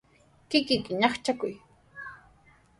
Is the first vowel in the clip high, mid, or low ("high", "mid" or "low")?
high